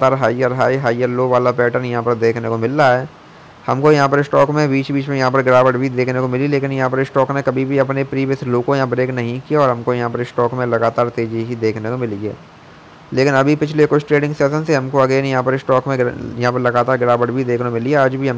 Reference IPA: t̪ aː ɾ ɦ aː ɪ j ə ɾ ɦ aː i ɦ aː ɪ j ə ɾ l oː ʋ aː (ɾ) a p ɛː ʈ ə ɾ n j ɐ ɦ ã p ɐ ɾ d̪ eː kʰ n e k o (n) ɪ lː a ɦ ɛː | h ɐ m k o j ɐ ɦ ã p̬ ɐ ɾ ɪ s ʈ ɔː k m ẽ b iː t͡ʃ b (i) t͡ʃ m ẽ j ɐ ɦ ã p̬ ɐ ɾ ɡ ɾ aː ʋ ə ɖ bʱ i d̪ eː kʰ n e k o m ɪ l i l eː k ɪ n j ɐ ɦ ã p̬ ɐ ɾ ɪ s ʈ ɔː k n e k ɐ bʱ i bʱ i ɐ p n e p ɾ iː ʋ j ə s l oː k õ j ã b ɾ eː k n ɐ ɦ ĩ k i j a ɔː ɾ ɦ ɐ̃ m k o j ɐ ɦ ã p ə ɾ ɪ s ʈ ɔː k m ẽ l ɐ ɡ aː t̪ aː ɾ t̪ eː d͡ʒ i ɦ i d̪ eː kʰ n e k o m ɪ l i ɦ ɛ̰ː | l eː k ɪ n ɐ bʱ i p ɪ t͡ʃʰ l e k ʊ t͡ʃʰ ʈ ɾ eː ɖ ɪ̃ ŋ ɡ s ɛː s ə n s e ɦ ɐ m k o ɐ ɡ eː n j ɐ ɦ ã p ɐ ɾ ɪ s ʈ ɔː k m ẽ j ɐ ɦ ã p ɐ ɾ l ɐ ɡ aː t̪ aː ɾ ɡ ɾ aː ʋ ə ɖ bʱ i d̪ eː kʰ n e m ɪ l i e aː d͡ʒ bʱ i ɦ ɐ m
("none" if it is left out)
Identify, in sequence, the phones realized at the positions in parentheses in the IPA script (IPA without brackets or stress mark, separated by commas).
l, m, iː